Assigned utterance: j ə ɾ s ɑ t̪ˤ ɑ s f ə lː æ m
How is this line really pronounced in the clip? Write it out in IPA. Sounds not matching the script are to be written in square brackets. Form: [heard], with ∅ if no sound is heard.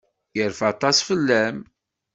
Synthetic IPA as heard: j ə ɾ [f] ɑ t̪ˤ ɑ s f ə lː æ m